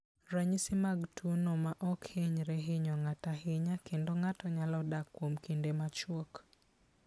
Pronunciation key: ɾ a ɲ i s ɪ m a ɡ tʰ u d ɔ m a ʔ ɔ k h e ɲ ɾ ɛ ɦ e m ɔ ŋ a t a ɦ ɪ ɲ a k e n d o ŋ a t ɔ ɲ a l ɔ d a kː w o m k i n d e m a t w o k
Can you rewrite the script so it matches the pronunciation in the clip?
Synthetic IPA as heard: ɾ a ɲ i s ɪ m a ɡ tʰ u n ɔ m a ʔ ɔ k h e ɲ ɾ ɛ ɦ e ɲ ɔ ŋ a t a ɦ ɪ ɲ a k e n d o ŋ a t ɔ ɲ a l ɔ d a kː w o m k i n d e m a t͡ʃ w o k